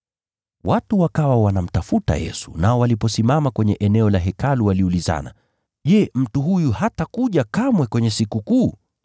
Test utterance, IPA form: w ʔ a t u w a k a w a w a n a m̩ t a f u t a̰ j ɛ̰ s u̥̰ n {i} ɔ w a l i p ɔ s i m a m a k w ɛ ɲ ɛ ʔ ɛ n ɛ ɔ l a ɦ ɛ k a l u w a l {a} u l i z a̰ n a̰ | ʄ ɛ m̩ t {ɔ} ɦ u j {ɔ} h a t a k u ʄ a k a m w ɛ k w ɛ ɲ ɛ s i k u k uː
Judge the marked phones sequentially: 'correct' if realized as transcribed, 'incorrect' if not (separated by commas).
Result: incorrect, incorrect, incorrect, incorrect